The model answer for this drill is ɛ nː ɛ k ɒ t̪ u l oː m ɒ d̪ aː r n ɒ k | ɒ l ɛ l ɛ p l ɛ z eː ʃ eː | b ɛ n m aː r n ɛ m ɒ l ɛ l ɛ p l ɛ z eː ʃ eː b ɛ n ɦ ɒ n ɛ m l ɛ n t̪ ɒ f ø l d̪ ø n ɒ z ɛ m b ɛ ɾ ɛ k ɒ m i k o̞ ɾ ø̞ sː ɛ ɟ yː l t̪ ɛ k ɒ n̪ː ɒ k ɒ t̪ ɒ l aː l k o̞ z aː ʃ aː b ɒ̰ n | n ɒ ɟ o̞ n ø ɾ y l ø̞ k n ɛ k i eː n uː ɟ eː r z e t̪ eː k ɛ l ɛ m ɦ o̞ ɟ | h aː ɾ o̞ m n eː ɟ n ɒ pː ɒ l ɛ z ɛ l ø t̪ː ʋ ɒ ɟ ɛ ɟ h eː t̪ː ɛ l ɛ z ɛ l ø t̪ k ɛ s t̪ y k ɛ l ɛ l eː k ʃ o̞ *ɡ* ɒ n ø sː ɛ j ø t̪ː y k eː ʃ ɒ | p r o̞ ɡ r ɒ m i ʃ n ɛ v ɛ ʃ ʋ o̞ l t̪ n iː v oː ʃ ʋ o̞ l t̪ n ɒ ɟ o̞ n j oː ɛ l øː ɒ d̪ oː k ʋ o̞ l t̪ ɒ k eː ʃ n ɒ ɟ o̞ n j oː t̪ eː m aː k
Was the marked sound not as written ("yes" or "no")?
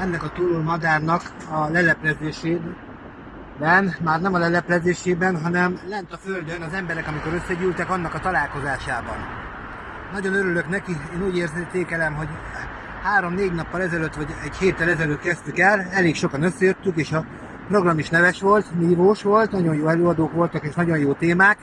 yes